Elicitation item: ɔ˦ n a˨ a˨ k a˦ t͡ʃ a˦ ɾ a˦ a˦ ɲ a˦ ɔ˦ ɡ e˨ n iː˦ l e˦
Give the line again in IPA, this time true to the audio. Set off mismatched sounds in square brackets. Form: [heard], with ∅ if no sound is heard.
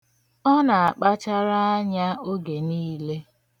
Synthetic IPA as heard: ɔ˦ n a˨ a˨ [k͡p] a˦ t͡ʃ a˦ ɾ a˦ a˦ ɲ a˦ [o˦] ɡ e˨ n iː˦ l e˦

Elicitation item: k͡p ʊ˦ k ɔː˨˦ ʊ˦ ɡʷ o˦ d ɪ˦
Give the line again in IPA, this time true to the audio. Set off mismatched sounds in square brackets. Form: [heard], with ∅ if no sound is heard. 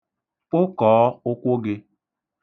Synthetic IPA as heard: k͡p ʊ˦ k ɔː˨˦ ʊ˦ [kʷ] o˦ [ɡ] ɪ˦

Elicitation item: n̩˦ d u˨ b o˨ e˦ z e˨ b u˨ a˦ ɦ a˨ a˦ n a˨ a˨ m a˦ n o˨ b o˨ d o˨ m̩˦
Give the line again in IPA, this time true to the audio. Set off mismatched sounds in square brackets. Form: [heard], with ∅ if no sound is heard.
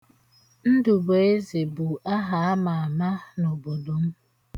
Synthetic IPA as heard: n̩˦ d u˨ b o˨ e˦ z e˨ b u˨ a˦ ɦ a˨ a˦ [m] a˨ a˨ m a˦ n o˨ b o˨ d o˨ m̩˦

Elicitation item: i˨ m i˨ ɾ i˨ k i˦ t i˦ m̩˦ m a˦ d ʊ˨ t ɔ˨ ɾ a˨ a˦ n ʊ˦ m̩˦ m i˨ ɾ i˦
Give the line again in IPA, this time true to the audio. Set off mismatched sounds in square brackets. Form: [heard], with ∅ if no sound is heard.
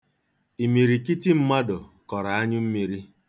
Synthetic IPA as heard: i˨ m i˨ ɾ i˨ k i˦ t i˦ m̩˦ m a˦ d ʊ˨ [k] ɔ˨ ɾ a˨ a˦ [ɲ] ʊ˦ m̩˦ m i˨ ɾ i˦

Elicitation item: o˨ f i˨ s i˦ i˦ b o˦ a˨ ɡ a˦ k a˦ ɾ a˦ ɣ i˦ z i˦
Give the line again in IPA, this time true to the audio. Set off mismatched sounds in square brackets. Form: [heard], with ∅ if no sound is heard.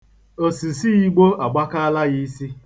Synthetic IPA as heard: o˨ [s] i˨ s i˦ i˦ [ɡ͡b] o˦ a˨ [ɡ͡b] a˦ k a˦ [l] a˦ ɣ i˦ [s] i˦

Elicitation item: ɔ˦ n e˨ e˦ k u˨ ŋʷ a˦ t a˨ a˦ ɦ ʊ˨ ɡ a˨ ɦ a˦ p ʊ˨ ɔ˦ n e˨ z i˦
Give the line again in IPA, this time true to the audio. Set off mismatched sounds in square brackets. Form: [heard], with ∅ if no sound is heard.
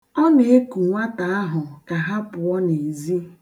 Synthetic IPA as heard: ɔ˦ n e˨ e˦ k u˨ ŋʷ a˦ t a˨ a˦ ɦ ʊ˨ [k] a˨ ɦ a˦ p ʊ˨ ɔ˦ n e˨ z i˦

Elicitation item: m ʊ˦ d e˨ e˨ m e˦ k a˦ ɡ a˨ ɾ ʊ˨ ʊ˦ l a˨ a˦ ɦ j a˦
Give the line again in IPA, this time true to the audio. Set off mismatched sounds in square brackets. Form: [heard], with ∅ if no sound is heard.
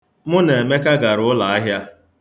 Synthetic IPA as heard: m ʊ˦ [n] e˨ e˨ m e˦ k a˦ ɡ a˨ ɾ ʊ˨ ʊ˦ l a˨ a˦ ɦ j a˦

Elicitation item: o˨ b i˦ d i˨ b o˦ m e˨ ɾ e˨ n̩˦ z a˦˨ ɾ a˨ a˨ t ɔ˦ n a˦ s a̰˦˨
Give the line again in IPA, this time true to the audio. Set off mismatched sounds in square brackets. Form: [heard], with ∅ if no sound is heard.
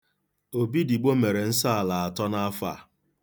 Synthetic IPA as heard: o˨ b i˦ d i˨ [ɡ͡b] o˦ m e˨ ɾ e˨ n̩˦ [s] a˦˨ [l] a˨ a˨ t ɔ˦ n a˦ [f] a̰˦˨

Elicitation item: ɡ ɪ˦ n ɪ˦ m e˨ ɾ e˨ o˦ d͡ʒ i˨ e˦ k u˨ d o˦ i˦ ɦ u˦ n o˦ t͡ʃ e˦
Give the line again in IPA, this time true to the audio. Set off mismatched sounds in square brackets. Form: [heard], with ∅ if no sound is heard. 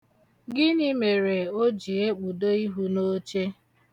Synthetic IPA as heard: ɡ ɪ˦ n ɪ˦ m e˨ ɾ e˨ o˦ d͡ʒ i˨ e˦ [k͡p] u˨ d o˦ i˦ ɦ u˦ n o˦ t͡ʃ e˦

